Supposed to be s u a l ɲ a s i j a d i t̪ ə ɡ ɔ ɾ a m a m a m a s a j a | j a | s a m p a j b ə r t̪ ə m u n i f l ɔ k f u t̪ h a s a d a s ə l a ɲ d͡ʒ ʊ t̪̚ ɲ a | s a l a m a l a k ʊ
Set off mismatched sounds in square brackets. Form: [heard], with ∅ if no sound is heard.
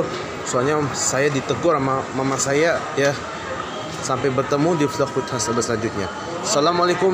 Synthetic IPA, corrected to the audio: s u a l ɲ a s [a] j a d i t̪ ə ɡ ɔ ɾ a m a m a m a s a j a | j a | s a m p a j b ə r t̪ ə m u [d] i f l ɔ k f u t̪ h a s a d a s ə l a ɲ d͡ʒ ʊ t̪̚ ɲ a | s a l a m a l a k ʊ